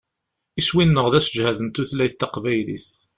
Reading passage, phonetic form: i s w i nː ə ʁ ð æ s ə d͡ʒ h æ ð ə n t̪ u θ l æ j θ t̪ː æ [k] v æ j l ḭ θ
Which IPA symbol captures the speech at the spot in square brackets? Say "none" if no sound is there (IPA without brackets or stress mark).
q